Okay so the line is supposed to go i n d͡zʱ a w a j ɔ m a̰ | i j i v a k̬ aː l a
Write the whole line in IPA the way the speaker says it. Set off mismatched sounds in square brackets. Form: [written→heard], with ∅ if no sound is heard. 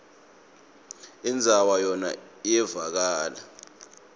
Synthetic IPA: i n d͡zʱ a w a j ɔ [m→n] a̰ | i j [i→ɛ] v a k̬ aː l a